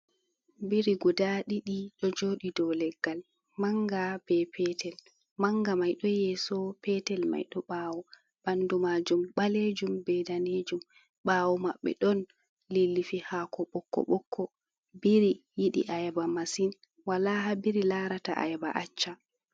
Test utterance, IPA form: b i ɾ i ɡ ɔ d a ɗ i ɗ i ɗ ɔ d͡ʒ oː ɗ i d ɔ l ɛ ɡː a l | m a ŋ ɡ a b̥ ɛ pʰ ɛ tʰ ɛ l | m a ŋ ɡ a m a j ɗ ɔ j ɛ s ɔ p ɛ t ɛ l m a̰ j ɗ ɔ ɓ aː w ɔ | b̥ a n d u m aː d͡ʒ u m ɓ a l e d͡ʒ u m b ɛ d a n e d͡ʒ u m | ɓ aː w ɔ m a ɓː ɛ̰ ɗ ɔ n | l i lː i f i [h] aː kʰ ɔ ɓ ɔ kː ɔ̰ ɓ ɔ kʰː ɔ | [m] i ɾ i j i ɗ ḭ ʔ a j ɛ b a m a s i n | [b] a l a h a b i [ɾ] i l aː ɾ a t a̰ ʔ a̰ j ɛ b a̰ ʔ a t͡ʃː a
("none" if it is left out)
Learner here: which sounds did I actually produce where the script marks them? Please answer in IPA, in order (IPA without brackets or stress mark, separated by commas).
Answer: h, b, w, ɾ